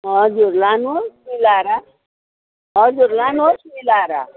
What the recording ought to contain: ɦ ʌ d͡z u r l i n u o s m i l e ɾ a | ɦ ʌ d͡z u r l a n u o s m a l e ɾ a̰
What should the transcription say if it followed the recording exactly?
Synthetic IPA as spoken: ɦ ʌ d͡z u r l a n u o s m i l a ɾ a | ɦ ʌ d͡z u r l a n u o s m i l a ɾ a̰

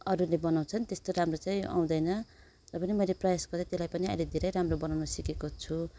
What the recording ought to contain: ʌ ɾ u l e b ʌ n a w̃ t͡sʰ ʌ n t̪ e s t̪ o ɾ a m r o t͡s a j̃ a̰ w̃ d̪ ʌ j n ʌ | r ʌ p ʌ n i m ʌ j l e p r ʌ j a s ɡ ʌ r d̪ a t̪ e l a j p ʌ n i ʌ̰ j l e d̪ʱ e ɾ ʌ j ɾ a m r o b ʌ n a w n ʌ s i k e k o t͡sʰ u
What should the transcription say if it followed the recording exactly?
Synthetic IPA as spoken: ʌ ɾ u l e b ʌ n a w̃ t͡sʰ ʌ n t̪ e s t̪ o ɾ a m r o t͡s a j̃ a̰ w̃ d̪ ʌ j n ʌ | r ʌ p ʌ n i m ʌ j l e p r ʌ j a s ɡ ʌ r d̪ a t̪ e l a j p ʌ n i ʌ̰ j l e d̪ʱ e ɾ ʌ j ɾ a m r o b ʌ n a w n ʌ s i k e k o t͡sʰ u

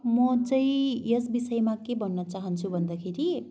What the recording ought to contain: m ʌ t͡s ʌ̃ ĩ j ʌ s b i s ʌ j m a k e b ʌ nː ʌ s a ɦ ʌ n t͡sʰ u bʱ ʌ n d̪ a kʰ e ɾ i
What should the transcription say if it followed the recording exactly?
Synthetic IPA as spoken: m ʌ t͡s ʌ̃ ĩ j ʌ s b i s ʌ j m a k e b ʌ nː ʌ t͡s a ɦ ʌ n t͡sʰ u bʱ ʌ n d̪ a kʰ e ɾ i

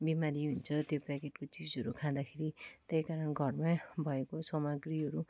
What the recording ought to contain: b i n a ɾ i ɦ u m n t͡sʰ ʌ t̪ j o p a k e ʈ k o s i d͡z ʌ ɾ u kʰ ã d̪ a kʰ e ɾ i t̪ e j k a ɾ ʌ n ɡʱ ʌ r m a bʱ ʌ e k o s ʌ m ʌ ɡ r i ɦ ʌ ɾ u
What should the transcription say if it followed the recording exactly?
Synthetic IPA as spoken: b i m a ɾ i ɦ u n t͡sʰ ʌ t̪ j o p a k e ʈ k o t͡s i d͡z ʌ ɾ u kʰ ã d̪ a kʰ e ɾ i t̪ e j k a ɾ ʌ n ɡʱ ʌ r m a bʱ ʌ e k o s ʌ m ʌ ɡ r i ɦ ʌ ɾ u

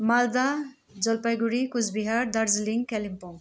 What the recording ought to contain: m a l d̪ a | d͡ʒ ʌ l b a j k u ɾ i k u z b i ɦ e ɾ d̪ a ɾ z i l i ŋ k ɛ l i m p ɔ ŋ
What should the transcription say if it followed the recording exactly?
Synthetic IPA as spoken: m a l d̪ a | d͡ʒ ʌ l p a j ɡ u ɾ i k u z b i ɦ a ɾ d̪ a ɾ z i l i ŋ k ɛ l i m p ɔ ŋ

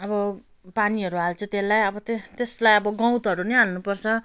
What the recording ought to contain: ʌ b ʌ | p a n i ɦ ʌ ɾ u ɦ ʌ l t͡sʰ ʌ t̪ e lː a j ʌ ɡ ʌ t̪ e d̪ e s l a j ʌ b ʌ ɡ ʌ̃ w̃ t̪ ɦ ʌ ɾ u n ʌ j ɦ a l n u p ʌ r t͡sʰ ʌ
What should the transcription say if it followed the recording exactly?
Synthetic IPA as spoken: ʌ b ʌ | p a n i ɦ ʌ ɾ u ɦ a l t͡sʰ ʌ t̪ e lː a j ʌ b ʌ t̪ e t̪ e s l a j ʌ b ʌ ɡ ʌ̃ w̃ t̪ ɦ ʌ ɾ u n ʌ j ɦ a l n u p ʌ r t͡sʰ ʌ

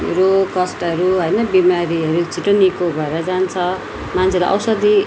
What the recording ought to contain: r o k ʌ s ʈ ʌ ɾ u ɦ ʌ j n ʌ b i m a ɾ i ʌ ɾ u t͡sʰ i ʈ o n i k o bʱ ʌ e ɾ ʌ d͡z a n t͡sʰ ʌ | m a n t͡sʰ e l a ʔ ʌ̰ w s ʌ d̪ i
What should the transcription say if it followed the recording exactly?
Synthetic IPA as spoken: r o k ʌ s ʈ ʌ ɾ u ɦ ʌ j n ʌ b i m a ɾ i ʌ ɾ u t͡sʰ i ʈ o n i k o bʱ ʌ e ɾ ʌ d͡z a n t͡sʰ ʌ | m a n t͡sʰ e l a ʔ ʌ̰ w s ʌ d̪ i

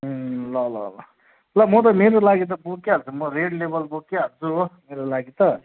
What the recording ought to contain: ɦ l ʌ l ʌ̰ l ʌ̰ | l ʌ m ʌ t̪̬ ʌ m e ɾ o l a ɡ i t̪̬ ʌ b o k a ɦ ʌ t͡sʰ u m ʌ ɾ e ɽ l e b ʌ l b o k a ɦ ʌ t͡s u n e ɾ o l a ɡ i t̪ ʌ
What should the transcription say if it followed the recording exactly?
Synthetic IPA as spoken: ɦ l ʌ l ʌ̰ l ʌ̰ | l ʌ m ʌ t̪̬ ʌ m e ɾ o l a ɡ i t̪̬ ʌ b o k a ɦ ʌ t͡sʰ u m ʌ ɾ e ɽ l e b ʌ l b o k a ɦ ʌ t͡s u m e ɾ o l a ɡ i t̪ ʌ

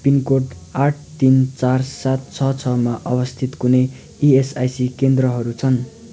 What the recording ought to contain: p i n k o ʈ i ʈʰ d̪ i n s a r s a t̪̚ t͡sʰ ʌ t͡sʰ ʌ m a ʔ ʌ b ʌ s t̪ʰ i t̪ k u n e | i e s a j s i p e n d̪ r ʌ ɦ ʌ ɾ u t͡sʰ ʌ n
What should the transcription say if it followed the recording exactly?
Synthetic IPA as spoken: p i n k o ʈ a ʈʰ t̪ i n t͡s a r s a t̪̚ t͡sʰ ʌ t͡sʰ ʌ m a ʔ ʌ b ʌ s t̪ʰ i t̪ k u n e | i e s a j s i k e n d̪ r ʌ ɦ ʌ ɾ u t͡sʰ ʌ n

